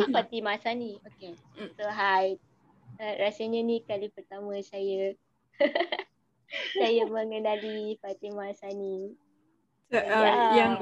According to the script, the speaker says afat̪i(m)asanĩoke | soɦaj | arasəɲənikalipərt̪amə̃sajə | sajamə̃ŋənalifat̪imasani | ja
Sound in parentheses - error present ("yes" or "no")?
no